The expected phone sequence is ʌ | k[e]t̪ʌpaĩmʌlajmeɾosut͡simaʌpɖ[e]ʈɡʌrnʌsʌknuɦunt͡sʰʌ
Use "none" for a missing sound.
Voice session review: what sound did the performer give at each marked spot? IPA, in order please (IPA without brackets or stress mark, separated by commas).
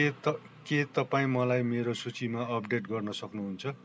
e, e